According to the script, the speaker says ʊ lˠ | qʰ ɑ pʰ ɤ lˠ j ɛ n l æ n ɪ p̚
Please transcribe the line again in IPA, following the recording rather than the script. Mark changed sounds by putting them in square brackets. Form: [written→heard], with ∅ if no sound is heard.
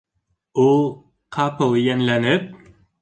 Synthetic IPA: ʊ [lˠ→∅] | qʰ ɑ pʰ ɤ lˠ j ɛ n l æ n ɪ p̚